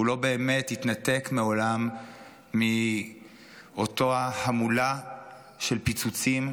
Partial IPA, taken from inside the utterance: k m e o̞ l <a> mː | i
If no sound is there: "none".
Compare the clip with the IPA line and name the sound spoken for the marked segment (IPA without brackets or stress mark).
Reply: a